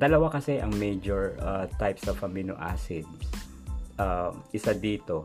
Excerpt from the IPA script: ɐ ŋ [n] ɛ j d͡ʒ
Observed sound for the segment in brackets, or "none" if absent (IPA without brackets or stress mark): m